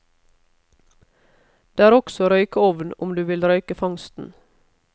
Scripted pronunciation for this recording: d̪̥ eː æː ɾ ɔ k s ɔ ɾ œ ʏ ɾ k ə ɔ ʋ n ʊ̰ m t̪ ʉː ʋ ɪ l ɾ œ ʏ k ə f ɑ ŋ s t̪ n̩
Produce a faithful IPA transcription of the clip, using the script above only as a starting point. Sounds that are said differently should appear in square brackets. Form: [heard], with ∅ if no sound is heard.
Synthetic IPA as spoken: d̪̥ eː æː ɾ ɔ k s ɔ ɾ œ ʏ [∅] k ə ɔ ʋ n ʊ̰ m [d̪] ʉː ʋ ɪ l ɾ œ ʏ k ə f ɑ ŋ s t̪ n̩